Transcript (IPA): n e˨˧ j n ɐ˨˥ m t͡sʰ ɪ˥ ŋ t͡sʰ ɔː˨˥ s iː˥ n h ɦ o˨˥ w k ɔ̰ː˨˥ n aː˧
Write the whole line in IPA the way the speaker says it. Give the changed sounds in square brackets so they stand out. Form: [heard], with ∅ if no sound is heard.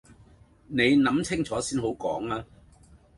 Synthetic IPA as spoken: n e˨˧ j n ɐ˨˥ m t͡sʰ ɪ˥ ŋ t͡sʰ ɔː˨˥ s iː˥ n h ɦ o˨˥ w k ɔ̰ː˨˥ [ŋ] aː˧

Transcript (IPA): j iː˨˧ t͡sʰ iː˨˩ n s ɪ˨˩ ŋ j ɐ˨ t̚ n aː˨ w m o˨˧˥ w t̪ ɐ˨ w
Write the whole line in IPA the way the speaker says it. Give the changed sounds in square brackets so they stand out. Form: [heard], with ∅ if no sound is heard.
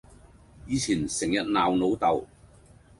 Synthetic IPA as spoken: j iː˨˧ t͡sʰ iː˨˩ n s ɪ˨˩ ŋ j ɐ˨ t̚ n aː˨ w [n] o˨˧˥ w t̪ ɐ˨ w

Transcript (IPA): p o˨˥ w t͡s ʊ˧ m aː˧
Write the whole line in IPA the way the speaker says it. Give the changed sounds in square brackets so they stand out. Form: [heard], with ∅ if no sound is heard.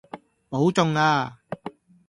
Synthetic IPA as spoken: p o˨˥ w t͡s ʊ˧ [ŋ] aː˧

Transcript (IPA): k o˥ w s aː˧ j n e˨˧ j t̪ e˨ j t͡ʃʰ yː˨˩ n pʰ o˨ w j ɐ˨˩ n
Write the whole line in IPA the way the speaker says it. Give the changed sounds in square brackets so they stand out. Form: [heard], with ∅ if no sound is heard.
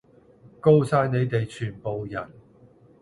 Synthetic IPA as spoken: k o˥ w s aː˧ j n e˨˧ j t̪ e˨ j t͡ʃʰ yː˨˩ n [p] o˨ w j ɐ˨˩ n

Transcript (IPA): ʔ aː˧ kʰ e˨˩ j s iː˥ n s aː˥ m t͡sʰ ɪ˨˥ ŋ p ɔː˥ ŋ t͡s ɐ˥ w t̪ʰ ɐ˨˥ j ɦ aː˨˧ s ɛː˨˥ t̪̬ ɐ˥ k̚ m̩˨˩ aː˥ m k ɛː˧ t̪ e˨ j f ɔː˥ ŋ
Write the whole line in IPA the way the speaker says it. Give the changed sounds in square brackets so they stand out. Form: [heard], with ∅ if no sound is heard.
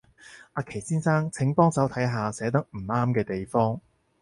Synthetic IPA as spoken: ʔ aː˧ kʰ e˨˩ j s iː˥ n s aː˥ [ŋ] t͡sʰ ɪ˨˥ ŋ p ɔː˥ ŋ t͡s [ɐ˨˥] w t̪ʰ ɐ˨˥ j ɦ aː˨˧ s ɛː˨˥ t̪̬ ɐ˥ k̚ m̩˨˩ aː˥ m k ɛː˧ t̪ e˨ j f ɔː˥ ŋ

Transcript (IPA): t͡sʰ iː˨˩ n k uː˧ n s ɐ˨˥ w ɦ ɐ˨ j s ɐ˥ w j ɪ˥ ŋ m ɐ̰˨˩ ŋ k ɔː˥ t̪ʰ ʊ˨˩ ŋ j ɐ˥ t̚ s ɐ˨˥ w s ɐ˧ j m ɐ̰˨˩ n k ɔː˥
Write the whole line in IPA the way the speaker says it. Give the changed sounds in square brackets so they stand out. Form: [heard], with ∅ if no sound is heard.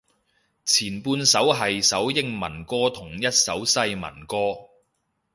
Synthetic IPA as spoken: t͡sʰ iː˨˩ n [p] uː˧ n s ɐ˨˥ w ɦ ɐ˨ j s [ɐ˨˥] w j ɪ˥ ŋ m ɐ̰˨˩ [n] k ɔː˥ t̪ʰ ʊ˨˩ ŋ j ɐ˥ t̚ s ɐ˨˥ w s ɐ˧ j m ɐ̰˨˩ n k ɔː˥

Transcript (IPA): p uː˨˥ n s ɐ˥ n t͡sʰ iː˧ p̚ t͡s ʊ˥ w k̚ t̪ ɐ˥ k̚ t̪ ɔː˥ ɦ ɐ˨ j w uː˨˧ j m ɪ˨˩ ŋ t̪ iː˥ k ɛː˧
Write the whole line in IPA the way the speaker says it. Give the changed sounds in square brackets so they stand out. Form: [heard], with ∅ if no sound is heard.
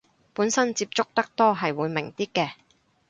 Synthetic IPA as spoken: p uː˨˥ n s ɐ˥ n [t͡s] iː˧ p̚ t͡s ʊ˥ [∅] k̚ t̪ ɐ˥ k̚ t̪ ɔː˥ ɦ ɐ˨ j w uː˨˧ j m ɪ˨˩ ŋ t̪ iː˥ k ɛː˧

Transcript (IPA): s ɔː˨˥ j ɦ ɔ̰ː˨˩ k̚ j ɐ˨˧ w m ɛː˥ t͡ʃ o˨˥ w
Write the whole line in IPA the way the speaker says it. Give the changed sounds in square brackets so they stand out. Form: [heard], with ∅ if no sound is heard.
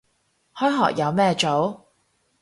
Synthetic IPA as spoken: [h] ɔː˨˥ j ɦ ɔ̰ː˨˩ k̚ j ɐ˨˧ w m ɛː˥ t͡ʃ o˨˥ w

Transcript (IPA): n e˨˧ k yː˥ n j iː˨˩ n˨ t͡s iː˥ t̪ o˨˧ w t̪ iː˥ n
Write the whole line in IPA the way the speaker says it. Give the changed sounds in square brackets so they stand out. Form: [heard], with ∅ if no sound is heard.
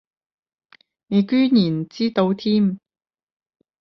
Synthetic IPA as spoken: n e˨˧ k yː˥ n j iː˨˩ n˨ t͡s iː˥ t̪ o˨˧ w [t̪ʰ] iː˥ [m]

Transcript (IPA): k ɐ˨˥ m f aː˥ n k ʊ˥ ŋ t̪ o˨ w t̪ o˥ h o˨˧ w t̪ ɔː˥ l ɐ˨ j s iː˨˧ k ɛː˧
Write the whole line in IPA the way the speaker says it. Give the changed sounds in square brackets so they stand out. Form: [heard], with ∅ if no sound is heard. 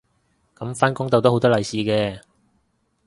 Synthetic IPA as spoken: k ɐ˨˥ m f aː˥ n k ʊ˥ ŋ t̪ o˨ w t̪ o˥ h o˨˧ w t̪ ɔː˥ l ɐ˨ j s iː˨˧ k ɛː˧

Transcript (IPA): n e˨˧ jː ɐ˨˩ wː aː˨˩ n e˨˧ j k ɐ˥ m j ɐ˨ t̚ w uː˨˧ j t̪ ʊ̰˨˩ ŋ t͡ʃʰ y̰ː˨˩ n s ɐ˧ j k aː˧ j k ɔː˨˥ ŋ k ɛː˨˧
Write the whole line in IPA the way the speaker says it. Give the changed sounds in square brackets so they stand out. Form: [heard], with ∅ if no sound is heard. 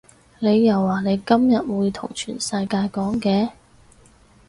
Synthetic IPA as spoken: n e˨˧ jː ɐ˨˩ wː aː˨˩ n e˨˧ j k ɐ˥ m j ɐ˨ t̚ w uː˨˧ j [t̪ʰ] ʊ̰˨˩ ŋ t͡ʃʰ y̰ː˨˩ n s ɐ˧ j k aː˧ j k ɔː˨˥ ŋ k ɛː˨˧

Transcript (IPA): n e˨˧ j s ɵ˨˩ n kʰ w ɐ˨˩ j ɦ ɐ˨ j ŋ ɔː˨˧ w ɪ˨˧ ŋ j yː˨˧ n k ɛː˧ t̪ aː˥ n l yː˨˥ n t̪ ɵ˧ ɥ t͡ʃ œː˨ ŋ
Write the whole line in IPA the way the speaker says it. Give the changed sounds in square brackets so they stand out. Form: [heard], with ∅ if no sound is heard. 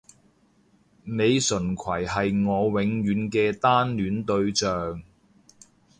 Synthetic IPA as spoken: n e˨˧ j s ɵ˨˩ n kʰ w ɐ˨˩ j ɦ ɐ˨ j ŋ ɔː˨˧ w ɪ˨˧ ŋ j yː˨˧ n k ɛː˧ t̪ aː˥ n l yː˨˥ n t̪ ɵ˧ ɥ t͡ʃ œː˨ ŋ

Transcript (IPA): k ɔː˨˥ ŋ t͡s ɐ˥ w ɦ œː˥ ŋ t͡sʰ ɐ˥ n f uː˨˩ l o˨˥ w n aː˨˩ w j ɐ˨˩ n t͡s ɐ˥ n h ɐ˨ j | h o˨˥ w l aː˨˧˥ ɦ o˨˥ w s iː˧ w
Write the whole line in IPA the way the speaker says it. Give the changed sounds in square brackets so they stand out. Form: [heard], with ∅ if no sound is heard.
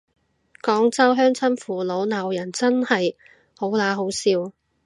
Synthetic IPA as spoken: k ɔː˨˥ ŋ t͡s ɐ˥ w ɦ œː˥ ŋ t͡sʰ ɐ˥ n f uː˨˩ l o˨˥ w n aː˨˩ w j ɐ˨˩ n t͡s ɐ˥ n h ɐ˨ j | h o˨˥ w l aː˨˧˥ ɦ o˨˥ w s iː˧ w

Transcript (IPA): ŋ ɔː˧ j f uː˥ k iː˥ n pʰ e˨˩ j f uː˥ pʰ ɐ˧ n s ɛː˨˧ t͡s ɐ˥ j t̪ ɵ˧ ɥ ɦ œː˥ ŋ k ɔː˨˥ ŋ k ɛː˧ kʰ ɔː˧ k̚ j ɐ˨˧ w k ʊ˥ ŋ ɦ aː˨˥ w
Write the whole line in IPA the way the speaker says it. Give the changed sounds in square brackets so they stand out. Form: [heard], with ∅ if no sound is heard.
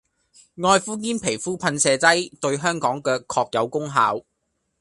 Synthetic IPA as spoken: ŋ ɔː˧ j f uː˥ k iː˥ n pʰ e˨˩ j f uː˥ pʰ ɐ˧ n s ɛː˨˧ t͡s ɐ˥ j t̪ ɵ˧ ɥ ɦ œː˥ ŋ k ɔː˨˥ ŋ k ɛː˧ kʰ ɔː˧ k̚ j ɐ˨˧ w k ʊ˥ ŋ ɦ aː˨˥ w

